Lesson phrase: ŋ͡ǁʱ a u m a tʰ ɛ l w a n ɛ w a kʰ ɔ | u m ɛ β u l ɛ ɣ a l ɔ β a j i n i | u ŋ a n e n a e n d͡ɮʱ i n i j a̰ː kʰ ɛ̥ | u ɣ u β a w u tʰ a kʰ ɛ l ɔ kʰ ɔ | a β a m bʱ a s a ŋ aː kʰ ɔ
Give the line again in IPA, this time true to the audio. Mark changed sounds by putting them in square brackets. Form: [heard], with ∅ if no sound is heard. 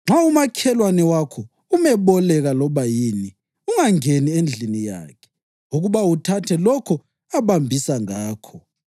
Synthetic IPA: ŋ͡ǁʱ a u m a [kʰ] ɛ l w a n ɛ w a kʰ ɔ | u m ɛ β [ɔ] l ɛ ɣ a l ɔ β a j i n i | u ŋ a [ŋ] e n [i] e n d͡ɮʱ i n i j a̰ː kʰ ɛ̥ | u ɣ u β a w u tʰ a [tʰ] ɛ l ɔ kʰ ɔ | a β a m bʱ [i] s a ŋ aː kʰ ɔ